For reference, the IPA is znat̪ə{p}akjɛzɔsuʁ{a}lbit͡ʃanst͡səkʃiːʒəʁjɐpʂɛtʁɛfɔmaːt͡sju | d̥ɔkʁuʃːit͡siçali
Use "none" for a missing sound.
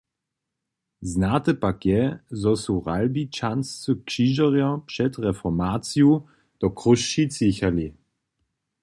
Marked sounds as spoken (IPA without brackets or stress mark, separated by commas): p, a